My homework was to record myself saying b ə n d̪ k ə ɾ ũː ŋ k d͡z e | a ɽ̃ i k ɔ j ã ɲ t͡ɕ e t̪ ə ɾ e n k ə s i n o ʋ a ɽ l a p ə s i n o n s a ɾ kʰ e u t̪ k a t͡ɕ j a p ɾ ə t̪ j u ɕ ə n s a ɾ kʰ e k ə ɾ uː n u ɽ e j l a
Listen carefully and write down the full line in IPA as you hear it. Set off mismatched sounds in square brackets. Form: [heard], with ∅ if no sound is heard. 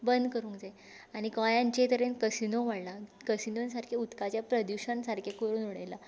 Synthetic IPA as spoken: b ə n d̪ k ə ɾ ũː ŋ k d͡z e | a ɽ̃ i k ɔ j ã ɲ t͡ɕ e t̪ ə ɾ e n k ə s i n o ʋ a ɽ l a [k] ə s i n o n s a ɾ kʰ e u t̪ k a t͡ɕ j a p ɾ ə [d̪] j u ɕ ə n s a ɾ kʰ e k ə ɾ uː n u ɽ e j l a